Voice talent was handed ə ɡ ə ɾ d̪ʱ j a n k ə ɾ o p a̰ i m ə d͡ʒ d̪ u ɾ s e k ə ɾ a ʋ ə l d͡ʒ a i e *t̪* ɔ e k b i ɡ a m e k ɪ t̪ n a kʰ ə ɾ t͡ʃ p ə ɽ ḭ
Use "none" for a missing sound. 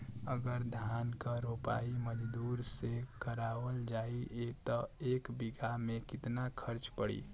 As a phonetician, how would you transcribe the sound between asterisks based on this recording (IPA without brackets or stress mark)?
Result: t̪